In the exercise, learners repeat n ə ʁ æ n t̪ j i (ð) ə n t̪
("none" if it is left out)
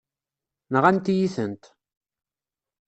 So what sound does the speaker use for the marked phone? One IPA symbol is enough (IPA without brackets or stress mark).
θ